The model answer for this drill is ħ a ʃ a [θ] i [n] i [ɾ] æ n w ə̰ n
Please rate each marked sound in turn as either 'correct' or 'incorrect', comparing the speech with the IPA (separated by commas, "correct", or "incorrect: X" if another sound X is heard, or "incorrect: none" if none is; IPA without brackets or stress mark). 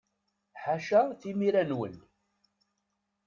correct, incorrect: m, correct